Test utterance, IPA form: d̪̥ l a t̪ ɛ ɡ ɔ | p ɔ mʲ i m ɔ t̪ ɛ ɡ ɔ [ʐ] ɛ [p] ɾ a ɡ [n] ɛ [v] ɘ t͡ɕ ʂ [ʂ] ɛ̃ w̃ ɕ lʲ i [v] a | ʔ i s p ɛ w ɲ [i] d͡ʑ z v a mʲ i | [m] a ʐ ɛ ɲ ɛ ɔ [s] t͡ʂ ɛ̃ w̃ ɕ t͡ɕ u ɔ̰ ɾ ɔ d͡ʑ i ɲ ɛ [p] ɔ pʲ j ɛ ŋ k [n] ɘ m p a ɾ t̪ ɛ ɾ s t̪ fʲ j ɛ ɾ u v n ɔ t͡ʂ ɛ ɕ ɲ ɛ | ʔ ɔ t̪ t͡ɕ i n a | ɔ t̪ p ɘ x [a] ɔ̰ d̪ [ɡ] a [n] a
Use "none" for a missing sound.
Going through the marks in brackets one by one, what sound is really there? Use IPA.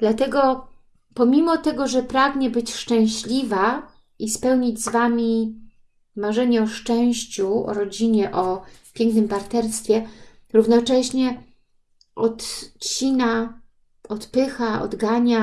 ʐ, p, ɲ, b, t͡ʂ, v, i, m, ʂ, ʔ, n, a, ɡ, ɲ

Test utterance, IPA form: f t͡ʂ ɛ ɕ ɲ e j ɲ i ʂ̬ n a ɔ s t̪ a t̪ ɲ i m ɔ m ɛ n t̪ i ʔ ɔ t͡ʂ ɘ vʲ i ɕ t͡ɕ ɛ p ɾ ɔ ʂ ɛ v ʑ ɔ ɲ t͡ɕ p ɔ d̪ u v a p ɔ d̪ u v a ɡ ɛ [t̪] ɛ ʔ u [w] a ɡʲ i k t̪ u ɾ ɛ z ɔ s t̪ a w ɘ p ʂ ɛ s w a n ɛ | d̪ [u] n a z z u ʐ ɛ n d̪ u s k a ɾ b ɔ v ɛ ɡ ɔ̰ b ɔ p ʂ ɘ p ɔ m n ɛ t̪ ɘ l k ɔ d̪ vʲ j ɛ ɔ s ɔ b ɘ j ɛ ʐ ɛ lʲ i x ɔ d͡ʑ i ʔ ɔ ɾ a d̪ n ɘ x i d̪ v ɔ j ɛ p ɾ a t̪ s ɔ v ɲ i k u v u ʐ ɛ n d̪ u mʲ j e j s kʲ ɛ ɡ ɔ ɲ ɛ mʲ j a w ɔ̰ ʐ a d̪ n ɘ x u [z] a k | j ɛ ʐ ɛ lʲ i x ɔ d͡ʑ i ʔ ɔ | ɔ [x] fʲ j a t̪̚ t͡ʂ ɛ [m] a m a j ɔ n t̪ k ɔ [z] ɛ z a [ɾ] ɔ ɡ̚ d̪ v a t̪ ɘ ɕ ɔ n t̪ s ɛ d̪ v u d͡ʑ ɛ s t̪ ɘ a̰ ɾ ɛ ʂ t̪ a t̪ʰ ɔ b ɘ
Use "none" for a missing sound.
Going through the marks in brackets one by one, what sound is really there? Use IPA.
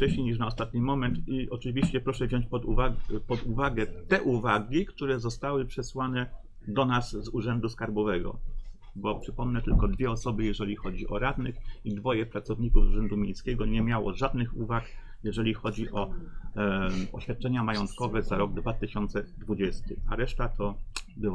t̪, v, ɔ, v, ɕ, ɲ, v, ɾ

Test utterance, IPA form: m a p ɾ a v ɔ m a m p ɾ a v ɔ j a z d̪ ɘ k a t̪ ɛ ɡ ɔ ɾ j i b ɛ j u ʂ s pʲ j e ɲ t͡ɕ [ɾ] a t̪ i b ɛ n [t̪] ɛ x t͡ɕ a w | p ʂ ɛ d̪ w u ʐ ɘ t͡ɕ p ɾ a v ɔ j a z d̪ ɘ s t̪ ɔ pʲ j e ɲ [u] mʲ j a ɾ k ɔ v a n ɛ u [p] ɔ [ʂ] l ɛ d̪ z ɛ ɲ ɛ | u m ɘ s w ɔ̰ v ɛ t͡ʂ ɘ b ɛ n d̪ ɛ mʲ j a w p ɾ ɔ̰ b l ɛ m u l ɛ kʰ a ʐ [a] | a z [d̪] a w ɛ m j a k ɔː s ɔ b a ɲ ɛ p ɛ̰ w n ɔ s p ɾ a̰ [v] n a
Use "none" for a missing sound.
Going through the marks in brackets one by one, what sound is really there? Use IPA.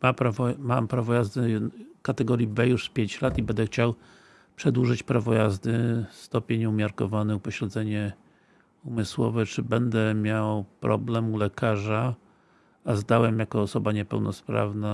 l, d̪, u, p, ɕ, a, d̪, v

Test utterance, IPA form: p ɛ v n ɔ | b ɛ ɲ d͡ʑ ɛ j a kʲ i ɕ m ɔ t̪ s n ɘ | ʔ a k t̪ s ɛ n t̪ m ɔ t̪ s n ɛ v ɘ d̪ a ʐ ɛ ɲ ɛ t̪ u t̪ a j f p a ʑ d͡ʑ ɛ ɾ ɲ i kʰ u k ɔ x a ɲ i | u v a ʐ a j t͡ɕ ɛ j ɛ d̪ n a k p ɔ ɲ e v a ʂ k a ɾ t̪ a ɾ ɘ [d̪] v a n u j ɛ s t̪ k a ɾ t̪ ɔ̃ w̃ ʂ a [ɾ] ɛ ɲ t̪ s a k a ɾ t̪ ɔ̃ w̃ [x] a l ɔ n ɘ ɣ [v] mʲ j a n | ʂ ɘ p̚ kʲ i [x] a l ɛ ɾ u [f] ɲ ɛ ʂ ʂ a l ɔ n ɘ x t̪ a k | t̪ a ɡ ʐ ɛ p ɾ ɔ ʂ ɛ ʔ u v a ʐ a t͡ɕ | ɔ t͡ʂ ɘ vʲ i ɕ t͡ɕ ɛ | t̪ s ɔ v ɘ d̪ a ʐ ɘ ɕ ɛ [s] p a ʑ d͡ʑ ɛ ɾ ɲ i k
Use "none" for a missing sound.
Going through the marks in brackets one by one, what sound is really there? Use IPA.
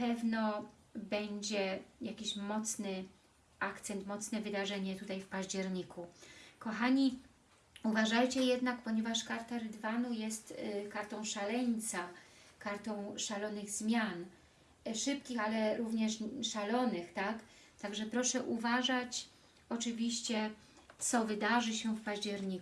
d̪, l, ʂ, z, x, v, f

